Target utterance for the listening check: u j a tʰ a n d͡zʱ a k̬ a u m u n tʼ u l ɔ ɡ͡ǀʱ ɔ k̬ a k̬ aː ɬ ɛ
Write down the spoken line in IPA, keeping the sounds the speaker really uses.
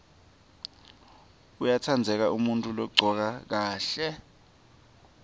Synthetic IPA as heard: u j a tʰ a n d͡zʱ ɛ k̬ a u m u n tʼ u l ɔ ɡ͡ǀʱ ɔ k̬ a k̬ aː ɬ ɛ